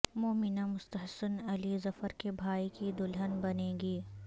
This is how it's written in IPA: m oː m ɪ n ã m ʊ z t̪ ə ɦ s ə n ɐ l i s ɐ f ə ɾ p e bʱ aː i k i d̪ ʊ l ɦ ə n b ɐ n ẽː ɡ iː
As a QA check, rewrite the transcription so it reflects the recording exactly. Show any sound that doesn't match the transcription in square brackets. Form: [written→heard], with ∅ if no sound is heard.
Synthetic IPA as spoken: m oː m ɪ n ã m ʊ [z→s] t̪ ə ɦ s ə n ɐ l i [s→z] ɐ f ə ɾ [p→k] e bʱ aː i k i d̪ ʊ l ɦ ə n b ɐ n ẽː ɡ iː